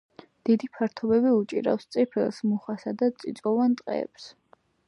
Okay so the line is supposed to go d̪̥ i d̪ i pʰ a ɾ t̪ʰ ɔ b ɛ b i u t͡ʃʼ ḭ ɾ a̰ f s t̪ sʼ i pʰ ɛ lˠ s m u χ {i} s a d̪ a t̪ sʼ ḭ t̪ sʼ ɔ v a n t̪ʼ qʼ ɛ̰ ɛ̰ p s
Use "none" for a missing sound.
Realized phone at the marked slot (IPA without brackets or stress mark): a